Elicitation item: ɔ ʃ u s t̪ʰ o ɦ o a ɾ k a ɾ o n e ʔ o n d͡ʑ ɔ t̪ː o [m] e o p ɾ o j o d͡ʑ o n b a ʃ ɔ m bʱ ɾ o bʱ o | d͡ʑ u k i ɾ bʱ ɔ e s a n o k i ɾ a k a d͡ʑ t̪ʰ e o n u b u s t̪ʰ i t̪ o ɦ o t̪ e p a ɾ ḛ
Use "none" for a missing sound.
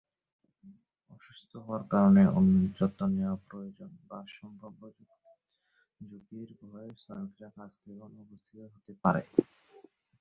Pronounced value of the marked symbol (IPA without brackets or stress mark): n